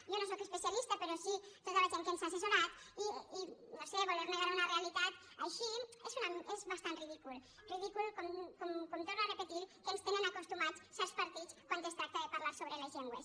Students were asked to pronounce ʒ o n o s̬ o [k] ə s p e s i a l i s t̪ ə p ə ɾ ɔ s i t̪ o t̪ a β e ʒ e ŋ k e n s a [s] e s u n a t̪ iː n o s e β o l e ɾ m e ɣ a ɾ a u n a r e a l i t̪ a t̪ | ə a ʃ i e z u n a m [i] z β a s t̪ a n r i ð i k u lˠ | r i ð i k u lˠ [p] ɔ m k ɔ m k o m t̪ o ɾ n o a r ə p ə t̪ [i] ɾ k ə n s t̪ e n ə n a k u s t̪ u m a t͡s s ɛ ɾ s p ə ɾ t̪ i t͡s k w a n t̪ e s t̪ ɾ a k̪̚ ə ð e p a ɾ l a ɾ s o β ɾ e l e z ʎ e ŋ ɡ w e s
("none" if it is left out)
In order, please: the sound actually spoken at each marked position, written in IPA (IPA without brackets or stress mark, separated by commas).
k, s, e, k, i